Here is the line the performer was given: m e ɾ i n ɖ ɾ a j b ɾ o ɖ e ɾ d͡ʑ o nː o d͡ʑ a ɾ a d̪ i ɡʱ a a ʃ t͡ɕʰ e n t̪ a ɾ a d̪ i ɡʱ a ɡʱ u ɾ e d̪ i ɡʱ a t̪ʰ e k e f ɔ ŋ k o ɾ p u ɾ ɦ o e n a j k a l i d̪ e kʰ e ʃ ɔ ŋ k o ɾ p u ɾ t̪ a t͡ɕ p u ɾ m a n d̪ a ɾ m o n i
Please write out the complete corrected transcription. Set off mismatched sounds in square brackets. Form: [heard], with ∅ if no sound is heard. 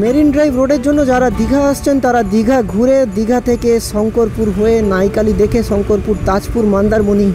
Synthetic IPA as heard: m e ɾ i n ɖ ɾ a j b ɾ o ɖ e ɾ d͡ʑ o nː o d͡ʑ a ɾ a d̪ i ɡʱ a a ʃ t͡ɕʰ e n t̪ a ɾ a d̪ i ɡʱ a ɡʱ u ɾ e d̪ i ɡʱ a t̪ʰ e k e [ʃ] ɔ ŋ k o ɾ p u ɾ ɦ o e n a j k a l i d̪ e kʰ e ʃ ɔ ŋ k o ɾ p u ɾ t̪ a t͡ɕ p u ɾ m a n d̪ a ɾ m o n i